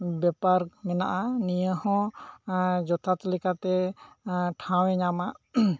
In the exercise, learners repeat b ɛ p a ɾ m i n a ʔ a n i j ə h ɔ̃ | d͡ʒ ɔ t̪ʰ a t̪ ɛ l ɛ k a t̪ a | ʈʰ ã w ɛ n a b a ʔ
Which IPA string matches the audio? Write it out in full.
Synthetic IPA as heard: b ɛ p a ɾ m ɛ n a ʔ a n i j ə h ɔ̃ | d͡ʒ ɔ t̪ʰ a t̪ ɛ l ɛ k a t̪ ɛ | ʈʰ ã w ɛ ɲ a m a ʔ